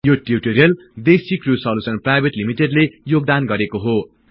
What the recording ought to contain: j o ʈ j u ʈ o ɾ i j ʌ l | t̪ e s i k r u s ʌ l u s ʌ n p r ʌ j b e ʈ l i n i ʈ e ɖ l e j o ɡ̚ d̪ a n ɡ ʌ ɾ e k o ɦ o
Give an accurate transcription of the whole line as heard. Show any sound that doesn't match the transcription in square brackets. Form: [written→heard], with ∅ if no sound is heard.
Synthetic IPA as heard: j o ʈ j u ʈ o ɾ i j ʌ l | [t̪→d̪] e s i k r u s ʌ l u s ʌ n p r [ʌ→a] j b e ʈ l i [n→m] i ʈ e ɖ l e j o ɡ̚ d̪ a n ɡ ʌ ɾ e k o ɦ o